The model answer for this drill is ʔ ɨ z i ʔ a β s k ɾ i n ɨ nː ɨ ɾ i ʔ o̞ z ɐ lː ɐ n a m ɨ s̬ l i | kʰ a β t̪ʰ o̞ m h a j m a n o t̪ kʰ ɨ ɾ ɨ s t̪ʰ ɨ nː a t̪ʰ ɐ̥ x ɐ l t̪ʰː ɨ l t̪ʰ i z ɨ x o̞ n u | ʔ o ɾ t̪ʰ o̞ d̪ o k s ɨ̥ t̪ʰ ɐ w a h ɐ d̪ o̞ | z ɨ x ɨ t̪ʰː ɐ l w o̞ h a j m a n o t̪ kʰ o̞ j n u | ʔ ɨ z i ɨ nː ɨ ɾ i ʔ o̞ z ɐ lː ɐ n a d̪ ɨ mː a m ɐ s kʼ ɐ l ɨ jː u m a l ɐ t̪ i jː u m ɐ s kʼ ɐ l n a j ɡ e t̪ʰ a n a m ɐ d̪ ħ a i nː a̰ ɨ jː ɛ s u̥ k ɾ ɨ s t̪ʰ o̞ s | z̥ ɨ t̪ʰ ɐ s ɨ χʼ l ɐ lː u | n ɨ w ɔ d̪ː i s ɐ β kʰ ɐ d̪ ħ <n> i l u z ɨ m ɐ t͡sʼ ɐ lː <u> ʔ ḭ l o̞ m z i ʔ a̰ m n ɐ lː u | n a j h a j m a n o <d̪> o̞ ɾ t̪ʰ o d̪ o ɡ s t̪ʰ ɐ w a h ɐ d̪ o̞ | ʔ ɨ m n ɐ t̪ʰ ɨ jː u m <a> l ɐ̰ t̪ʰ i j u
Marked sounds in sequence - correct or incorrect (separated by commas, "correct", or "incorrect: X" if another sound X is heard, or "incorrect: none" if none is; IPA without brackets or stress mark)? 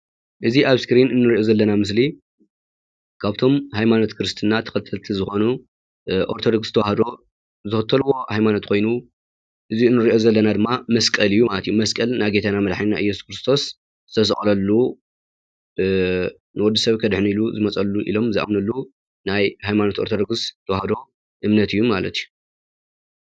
correct, correct, incorrect: t̪, correct